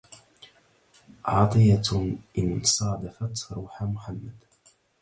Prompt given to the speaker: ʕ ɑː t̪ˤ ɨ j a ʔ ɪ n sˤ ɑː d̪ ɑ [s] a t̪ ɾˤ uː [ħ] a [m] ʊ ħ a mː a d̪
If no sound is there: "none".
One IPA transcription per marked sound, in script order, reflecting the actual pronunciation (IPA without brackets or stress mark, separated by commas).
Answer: f, ħ, m